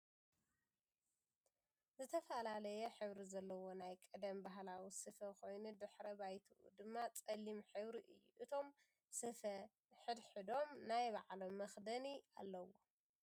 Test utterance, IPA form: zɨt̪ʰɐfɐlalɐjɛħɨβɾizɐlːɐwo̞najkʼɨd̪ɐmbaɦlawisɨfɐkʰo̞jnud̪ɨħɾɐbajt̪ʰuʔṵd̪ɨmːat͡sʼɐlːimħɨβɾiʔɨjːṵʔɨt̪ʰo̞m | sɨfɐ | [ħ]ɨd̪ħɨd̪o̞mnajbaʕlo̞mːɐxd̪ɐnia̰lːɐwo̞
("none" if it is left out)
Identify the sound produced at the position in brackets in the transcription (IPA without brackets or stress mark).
ħ